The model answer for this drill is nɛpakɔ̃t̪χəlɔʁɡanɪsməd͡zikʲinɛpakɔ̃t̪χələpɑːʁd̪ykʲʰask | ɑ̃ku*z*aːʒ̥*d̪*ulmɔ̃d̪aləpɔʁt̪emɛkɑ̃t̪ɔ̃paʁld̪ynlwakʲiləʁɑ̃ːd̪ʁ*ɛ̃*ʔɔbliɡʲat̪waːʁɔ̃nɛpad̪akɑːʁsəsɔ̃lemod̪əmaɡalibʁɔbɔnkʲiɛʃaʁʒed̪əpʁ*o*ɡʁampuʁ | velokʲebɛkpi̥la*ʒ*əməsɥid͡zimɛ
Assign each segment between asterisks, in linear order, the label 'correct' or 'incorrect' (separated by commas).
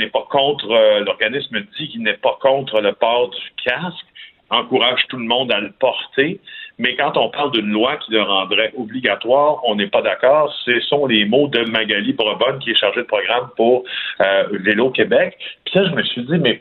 incorrect, incorrect, incorrect, incorrect, correct